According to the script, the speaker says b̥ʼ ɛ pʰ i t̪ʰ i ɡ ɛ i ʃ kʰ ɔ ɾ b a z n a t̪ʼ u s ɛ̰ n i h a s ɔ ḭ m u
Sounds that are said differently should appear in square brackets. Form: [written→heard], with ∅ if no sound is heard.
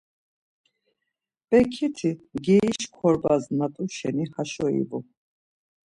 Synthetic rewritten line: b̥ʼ ɛ [pʰ→kʰ] i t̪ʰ i ɡ ɛ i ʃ kʰ ɔ ɾ b a z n a t̪ʼ u [s→ʃ] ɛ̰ n i h a [s→ʃ] ɔ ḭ [m→b] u